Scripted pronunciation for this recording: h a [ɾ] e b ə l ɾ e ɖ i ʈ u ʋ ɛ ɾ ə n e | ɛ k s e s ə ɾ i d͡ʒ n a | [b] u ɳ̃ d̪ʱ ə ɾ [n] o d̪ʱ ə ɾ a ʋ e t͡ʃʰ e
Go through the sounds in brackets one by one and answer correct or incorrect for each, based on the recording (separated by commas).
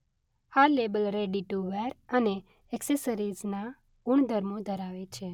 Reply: incorrect, incorrect, incorrect